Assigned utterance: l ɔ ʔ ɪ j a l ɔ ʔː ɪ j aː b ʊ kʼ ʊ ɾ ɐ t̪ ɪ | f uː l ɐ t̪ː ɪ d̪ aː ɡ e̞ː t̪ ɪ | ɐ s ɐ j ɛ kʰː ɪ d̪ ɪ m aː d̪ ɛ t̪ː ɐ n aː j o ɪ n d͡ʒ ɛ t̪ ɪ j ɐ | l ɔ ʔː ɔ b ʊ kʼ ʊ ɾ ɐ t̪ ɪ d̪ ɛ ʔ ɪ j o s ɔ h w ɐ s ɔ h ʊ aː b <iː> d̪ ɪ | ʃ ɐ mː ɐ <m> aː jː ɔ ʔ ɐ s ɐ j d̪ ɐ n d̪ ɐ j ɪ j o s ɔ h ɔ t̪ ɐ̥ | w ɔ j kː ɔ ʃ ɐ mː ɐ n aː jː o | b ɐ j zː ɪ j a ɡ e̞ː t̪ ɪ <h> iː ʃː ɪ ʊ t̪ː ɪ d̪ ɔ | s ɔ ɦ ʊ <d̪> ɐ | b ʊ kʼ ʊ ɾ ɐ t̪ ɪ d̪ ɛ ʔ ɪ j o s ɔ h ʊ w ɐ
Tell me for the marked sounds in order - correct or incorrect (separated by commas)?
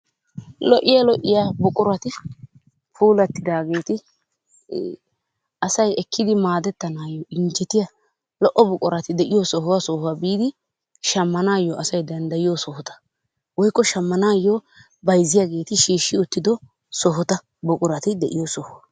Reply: correct, incorrect, incorrect, incorrect